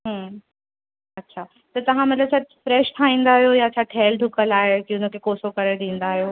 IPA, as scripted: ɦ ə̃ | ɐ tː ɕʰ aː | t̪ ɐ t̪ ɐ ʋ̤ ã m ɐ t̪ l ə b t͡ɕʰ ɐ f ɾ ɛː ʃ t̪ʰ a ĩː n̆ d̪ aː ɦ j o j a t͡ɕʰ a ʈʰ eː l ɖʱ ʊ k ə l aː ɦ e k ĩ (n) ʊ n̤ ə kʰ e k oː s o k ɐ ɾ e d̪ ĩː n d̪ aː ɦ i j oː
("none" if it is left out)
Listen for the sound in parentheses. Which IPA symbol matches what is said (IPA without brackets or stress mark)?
none